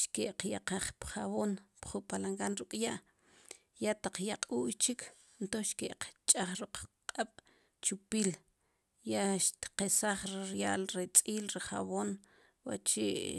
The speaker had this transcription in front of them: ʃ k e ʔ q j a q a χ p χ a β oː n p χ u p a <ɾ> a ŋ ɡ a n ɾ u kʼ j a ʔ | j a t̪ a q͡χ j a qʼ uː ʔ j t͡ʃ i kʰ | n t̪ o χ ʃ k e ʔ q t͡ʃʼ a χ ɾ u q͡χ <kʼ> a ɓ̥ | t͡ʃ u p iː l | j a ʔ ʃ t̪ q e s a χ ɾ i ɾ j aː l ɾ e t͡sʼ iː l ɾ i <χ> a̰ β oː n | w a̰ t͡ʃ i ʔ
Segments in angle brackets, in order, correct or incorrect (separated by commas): incorrect, incorrect, correct